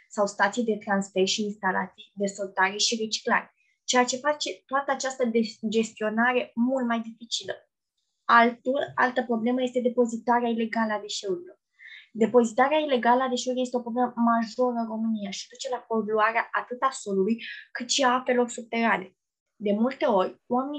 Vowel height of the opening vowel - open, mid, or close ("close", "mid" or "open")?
open